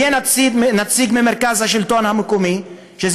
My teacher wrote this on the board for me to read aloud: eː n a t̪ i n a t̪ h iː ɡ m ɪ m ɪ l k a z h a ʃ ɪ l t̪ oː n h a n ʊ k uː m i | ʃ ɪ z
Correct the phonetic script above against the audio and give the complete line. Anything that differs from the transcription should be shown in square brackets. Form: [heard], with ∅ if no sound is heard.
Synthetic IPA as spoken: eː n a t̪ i n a t̪ [s] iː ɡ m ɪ m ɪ [ɾ] k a z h a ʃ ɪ l t̪ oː n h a [m] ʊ k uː m i | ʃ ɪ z